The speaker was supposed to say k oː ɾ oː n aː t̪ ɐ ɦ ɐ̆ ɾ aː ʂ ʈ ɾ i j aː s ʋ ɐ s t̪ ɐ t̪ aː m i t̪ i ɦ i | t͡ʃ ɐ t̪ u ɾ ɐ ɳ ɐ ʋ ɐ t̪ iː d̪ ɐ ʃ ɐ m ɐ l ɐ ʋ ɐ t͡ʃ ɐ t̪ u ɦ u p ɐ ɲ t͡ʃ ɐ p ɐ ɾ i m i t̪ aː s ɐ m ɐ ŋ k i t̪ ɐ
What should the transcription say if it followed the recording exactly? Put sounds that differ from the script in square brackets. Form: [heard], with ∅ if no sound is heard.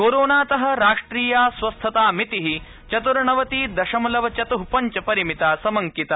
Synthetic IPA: k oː ɾ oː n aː t̪ ɐ ɦ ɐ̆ ɾ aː ʂ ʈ ɾ [iː] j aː s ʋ ɐ s [t̪ʰ] ɐ t̪ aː m i t̪ i ɦ i | t͡ʃ ɐ t̪ u ɾ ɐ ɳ ɐ ʋ ɐ t̪ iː d̪ ɐ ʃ ɐ m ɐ l ɐ ʋ ɐ t͡ʃ ɐ t̪ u ɦ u p ɐ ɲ t͡ʃ ɐ p ɐ ɾ i m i t̪ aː s ɐ m ɐ ŋ k i t̪ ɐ